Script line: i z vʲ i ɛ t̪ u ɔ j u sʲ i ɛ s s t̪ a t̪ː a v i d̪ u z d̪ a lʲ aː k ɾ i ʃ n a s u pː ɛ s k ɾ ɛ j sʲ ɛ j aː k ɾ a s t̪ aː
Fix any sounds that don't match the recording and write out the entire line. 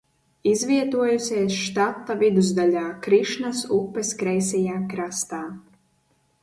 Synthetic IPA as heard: i z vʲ i ɛ t̪ u ɔ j u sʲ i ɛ s ʃ t̪ a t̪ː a v i d̪ u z d̪ a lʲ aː k ɾ i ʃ n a s u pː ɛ s k ɾ ɛ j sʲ ɛ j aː k ɾ a s t̪ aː